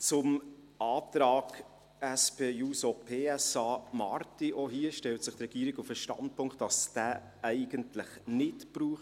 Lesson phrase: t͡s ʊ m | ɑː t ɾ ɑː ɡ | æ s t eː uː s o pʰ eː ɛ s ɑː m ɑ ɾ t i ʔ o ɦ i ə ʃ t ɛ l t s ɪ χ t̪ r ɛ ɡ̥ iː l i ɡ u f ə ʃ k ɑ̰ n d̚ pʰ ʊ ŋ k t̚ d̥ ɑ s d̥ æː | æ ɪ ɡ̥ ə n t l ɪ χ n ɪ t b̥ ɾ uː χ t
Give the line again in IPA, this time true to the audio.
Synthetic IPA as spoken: t͡s ʊ m | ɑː t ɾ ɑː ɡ | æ s p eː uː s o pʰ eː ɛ s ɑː m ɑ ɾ t i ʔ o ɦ i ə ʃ t ɛ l t s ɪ χ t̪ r ɛ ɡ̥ iː ɾ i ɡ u f ə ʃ t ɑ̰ n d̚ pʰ ʊ ŋ k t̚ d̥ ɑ s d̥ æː | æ ɪ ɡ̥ ə n t l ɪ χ n ɪ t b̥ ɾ uː χ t